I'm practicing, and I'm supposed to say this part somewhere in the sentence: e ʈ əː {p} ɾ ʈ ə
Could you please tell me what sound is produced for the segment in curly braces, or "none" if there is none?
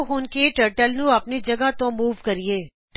none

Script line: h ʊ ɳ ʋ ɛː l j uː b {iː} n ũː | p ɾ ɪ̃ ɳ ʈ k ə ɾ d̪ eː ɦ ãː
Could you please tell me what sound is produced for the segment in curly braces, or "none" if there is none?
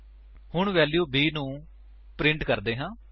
iː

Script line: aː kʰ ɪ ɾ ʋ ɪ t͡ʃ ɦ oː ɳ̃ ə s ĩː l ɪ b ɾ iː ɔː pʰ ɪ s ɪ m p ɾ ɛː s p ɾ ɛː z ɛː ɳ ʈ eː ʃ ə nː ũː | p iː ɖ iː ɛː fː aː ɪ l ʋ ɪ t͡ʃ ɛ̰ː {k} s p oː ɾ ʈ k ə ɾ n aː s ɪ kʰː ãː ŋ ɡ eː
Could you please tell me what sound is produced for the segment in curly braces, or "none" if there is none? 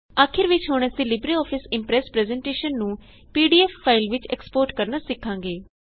k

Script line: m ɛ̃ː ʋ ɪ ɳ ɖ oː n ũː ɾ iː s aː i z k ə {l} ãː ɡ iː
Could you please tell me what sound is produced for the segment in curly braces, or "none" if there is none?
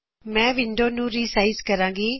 ɾ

